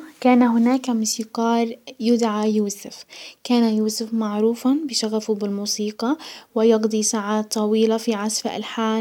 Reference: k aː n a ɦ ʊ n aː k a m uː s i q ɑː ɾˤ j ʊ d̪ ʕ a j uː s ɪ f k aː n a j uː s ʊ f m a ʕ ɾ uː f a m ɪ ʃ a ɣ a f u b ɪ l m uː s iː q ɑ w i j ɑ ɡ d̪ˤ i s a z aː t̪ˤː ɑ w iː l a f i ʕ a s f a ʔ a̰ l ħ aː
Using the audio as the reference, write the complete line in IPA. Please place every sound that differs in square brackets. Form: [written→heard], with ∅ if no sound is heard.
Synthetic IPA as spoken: k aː n a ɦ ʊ n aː k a m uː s i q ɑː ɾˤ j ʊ d̪ ʕ a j uː s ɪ f k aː n a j uː s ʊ f m a ʕ ɾ uː f a [m→b] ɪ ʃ a ɣ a f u b ɪ l m uː s iː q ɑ w [i→ɪ] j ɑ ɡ d̪ˤ i s a [z→ʕ] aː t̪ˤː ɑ w iː l a f i ʕ a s f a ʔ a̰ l ħ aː